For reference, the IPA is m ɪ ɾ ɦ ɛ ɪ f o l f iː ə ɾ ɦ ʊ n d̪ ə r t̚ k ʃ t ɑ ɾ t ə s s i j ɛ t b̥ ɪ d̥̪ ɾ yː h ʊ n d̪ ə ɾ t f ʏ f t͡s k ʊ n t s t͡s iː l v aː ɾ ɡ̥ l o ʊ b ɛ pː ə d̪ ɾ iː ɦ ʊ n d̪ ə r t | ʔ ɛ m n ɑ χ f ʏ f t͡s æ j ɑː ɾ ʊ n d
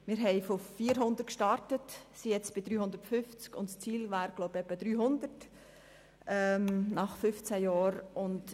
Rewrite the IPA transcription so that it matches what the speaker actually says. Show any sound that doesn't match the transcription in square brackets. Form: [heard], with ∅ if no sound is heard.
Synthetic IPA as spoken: m ɪ ɾ ɦ ɛ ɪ f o [∅] f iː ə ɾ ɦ ʊ n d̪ ə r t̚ k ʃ t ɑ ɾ t ə [t] s i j ɛ [t͡s] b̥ ɪ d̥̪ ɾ yː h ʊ n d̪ ə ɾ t f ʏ f t͡s k ʊ n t s t͡s iː l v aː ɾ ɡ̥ l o ʊ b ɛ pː ə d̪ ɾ [yː] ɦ ʊ n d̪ ə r t | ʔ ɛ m n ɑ χ f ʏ f t͡s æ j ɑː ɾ ʊ n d